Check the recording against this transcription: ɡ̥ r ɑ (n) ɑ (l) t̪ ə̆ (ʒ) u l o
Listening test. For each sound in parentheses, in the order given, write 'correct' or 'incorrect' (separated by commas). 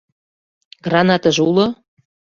correct, incorrect, correct